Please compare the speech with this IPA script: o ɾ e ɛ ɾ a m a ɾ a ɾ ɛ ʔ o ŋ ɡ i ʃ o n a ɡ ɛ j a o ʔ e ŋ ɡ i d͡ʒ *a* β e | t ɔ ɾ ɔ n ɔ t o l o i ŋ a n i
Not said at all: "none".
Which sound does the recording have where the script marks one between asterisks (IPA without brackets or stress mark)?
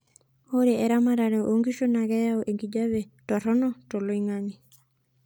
a